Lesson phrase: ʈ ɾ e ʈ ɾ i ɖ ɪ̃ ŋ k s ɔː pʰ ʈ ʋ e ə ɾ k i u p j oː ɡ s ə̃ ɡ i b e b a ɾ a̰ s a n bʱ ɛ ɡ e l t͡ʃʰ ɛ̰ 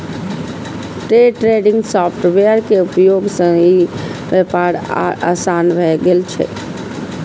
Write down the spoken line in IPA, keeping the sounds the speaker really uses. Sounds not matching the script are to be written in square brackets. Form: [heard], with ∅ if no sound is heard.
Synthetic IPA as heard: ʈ ɾ e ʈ ɾ [e] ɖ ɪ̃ ŋ [ɡ] s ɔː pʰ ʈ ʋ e ə ɾ k [e] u p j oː ɡ s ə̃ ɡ i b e [p] a ɾ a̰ s a n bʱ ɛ ɡ e l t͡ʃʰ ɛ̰